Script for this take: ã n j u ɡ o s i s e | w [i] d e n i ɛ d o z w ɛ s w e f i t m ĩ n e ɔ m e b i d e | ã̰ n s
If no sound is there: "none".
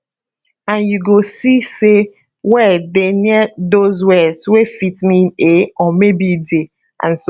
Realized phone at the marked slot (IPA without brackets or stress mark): ɛ